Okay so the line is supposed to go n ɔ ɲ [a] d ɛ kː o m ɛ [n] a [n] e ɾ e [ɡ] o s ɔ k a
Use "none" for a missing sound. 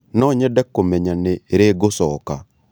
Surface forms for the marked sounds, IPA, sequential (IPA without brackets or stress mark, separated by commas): ɛ, ɲ, n, ɡ